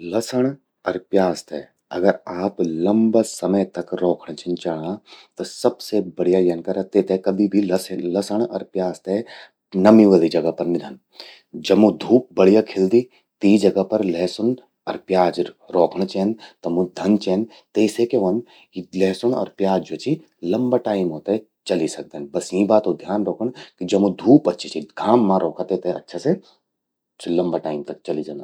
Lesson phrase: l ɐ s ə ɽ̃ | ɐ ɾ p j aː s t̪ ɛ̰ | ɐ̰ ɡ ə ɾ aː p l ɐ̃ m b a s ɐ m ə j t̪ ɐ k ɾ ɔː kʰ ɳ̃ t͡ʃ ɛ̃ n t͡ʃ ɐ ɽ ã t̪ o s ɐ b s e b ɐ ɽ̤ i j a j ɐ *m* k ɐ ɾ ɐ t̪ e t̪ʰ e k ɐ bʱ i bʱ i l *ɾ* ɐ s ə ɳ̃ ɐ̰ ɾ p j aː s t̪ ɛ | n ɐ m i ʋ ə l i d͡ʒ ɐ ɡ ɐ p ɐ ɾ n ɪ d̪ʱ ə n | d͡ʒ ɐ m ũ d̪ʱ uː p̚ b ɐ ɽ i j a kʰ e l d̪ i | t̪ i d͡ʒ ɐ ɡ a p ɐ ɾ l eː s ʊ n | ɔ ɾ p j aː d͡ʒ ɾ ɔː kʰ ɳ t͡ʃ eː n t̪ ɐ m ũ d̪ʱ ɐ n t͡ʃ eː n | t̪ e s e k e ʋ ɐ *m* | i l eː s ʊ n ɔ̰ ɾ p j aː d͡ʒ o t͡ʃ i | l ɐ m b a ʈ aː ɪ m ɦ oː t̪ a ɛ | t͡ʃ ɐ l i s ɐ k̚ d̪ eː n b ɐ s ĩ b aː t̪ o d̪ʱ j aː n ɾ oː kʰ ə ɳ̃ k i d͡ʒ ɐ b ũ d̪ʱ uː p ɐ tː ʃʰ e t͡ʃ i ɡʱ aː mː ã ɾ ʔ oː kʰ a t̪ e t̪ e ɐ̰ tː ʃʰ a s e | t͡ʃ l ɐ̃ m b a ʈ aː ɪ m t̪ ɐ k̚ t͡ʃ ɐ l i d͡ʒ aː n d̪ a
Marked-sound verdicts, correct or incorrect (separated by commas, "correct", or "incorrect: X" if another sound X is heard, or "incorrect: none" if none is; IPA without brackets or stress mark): incorrect: n, incorrect: l, incorrect: n